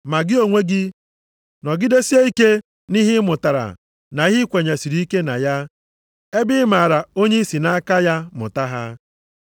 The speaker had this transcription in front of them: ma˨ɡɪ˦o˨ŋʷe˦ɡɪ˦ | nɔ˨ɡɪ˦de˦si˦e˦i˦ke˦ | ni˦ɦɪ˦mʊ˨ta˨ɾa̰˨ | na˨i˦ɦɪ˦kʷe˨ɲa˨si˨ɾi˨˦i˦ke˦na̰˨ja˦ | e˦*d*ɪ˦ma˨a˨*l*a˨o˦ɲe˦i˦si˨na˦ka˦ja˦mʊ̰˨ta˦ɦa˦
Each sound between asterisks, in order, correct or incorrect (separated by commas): incorrect, incorrect